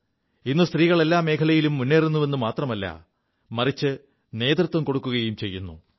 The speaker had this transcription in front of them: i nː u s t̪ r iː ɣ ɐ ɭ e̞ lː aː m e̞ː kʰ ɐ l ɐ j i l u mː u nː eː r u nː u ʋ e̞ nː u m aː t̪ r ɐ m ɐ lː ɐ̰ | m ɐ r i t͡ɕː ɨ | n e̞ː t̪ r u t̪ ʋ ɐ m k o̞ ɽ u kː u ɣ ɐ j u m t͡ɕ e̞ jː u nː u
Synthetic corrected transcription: i nː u s t̪ r iː ɣ ɐ ɭ e̞ lː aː m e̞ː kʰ ɐ l ɐ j i l u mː u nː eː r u nː u ʋ e̞ nː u m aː t̪ r ɐ m ɐ lː ɐ̰ | m ɐ r i t͡ɕː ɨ | n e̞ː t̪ r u t̪ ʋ ɐ m k o̞ ɽ u kː u ɣ ɐ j u m t͡ɕ e̞ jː u nː u

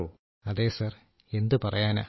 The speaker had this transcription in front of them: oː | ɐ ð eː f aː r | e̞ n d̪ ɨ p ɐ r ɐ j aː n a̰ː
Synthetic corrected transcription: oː | ɐ ð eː s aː r | e̞ n d̪ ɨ p ɐ r ɐ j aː n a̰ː

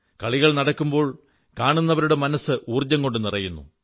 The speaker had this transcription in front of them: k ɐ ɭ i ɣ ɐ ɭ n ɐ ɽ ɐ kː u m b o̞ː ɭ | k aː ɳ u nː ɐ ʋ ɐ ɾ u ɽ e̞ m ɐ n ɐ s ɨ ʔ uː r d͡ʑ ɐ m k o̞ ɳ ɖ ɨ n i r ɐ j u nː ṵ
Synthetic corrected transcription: k ɐ ɭ i ɣ ɐ ɭ n ɐ ɽ ɐ kː u m b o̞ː ɭ | k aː ɳ u nː ɐ ʋ ɐ ɾ u ɽ e̞ m ɐ n ɐ s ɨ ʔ uː r d͡ʑ ɐ ŋ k o̞ ɳ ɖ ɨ n i r ɐ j u nː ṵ

